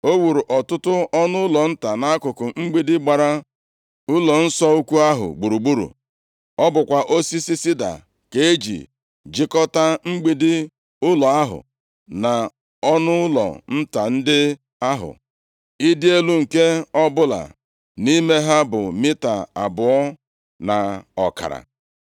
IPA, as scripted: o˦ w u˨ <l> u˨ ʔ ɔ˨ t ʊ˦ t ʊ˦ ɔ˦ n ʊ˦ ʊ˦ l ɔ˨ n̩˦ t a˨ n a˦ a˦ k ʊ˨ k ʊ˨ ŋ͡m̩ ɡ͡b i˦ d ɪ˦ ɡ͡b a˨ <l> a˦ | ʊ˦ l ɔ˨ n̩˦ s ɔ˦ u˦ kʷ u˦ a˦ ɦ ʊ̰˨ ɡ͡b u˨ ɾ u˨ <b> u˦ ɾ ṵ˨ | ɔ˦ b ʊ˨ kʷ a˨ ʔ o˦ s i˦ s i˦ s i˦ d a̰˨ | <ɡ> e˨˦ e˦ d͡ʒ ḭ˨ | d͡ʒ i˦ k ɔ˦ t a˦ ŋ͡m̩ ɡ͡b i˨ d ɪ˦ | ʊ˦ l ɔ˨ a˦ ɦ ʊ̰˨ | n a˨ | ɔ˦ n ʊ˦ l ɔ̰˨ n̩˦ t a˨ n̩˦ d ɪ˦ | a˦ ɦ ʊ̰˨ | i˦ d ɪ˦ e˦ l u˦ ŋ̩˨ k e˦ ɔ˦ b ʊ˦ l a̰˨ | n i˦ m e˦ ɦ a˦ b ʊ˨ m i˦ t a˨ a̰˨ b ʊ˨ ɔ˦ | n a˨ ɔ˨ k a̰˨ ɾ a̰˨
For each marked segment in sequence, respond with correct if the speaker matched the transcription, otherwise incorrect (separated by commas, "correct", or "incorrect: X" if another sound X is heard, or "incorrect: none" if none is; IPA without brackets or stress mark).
incorrect: ɾ, incorrect: ɾ, incorrect: ɡ͡b, incorrect: k